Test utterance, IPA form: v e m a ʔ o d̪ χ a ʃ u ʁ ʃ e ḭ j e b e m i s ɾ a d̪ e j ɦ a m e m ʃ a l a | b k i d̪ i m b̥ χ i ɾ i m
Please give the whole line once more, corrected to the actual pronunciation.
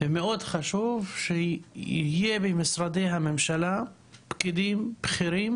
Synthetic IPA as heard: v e m e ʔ o d̪ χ a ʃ u v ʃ e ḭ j e b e m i s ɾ a d̪ e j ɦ a m e m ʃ a l a | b k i d̪ i m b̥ χ i ɾ i m